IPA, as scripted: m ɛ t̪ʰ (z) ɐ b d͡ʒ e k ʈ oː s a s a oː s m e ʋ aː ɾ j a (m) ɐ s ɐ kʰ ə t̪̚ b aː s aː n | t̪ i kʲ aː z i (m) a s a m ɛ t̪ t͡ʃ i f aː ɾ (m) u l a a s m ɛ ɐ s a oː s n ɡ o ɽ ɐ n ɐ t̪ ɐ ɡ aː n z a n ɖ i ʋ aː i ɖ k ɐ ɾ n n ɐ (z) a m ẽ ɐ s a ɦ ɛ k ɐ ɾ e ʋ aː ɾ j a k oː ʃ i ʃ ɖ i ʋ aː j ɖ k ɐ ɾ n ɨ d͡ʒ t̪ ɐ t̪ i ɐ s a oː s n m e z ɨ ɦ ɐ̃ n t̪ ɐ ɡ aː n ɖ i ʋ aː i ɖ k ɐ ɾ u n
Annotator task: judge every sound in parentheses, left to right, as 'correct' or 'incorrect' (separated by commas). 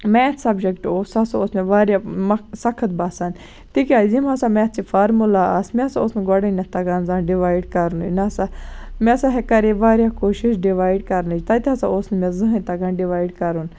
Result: incorrect, correct, correct, correct, incorrect